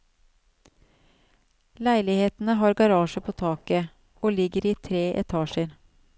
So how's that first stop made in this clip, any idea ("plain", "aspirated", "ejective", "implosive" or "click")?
plain